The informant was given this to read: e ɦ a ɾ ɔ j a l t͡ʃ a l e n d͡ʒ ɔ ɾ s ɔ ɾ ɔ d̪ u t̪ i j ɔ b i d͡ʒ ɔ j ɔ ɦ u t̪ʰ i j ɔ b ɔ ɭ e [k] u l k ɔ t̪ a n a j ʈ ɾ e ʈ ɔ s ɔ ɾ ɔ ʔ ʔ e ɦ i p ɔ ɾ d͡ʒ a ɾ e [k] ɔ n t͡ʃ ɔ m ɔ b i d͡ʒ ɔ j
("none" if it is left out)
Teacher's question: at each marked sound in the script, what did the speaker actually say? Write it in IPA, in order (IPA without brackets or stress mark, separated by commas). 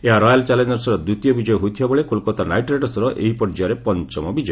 k, p